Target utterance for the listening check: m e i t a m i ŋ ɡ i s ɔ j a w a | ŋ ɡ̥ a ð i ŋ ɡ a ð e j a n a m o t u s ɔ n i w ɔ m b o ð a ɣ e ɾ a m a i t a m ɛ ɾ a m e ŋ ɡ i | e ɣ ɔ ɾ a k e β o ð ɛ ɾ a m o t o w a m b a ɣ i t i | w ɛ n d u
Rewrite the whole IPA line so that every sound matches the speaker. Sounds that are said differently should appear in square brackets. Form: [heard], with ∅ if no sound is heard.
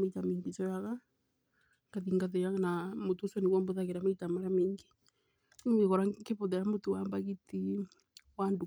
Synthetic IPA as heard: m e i t a m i ŋ ɡ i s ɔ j a [ɣ] a | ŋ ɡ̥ a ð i ŋ ɡ a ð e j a n a m o t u s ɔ n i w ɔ m b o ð a ɣ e ɾ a m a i t a m [a] ɾ a m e ŋ ɡ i | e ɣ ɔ ɾ a k e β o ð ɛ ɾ a m o t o w a m b a ɣ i t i | w [a] n d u